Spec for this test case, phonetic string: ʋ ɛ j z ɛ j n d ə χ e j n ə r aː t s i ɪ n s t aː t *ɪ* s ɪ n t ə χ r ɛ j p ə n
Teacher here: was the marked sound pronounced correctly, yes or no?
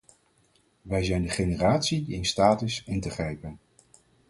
yes